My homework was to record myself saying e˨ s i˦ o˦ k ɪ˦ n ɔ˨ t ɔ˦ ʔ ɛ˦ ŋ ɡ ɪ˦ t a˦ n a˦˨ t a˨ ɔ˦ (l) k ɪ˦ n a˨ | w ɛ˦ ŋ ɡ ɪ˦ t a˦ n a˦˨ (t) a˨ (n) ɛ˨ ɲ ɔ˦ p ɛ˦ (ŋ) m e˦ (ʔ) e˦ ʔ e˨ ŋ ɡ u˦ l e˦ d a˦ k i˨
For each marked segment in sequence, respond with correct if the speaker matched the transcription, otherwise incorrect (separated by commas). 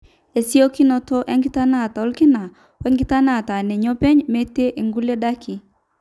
correct, correct, correct, incorrect, incorrect